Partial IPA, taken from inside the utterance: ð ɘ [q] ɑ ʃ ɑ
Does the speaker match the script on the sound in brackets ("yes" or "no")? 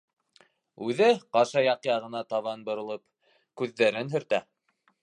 yes